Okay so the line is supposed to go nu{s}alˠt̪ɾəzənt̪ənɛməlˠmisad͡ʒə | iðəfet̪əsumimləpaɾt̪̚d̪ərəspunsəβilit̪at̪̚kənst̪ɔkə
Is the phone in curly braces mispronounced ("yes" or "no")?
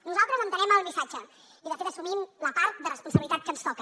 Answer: yes